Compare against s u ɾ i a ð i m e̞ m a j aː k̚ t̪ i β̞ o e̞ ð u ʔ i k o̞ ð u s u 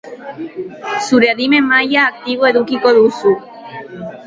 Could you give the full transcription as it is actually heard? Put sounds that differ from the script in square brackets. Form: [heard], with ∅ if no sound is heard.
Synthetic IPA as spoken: s u ɾ [e] a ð i m e̞ m a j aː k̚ t̪ i β̞ o e̞ ð u [k] i k o̞ ð u s u